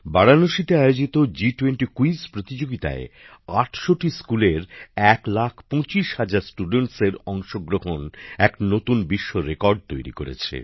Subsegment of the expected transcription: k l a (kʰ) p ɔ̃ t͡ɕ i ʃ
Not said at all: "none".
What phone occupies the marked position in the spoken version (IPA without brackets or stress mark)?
kʰ